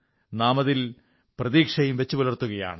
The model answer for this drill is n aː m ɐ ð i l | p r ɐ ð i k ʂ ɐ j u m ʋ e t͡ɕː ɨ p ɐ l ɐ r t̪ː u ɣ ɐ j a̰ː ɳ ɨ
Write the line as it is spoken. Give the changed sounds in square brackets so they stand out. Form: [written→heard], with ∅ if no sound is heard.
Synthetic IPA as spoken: n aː m ɐ ð i l | p r ɐ ð [i→iː] k ʂ ɐ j u m ʋ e t͡ɕː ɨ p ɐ l ɐ r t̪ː u ɣ ɐ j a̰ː ɳ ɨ